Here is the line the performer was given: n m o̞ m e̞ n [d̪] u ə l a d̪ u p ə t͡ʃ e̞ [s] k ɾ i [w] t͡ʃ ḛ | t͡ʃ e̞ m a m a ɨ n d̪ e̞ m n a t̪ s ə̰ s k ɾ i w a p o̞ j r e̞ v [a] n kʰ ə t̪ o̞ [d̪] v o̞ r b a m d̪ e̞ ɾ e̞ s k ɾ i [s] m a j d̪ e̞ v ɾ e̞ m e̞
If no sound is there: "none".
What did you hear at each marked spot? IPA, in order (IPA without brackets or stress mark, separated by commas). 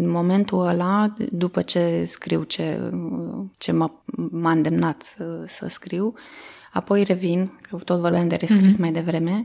t̪, s, w, i, t̪, s